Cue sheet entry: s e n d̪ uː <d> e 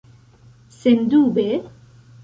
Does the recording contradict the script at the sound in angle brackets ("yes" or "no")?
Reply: yes